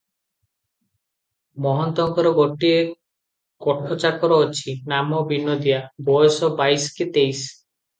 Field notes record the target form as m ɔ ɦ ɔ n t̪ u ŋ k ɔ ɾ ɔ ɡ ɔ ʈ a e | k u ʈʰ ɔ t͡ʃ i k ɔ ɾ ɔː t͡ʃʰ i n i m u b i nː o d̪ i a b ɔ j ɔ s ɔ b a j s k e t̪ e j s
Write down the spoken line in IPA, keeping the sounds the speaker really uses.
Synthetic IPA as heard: m ɔ ɦ ɔ n t̪ ɔ ŋ k ɔ ɾ ɔ ɡ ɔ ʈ i e | k ɔ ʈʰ ɔ t͡ʃ a k ɔ ɾ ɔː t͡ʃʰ i n a m ɔ b i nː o d̪ i a b ɔ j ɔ s ɔ b a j s k e t̪ e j s